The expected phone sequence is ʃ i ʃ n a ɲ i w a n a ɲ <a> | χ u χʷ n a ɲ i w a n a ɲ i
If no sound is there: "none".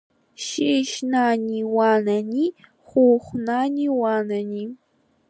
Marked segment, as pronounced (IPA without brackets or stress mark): i